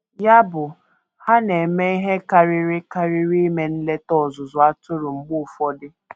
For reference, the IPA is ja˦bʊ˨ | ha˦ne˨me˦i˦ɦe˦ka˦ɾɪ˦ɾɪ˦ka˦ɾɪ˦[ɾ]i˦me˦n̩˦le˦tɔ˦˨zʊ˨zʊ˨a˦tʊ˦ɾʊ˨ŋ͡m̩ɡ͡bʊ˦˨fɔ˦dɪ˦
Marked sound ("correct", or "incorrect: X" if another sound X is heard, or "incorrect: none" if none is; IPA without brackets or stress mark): correct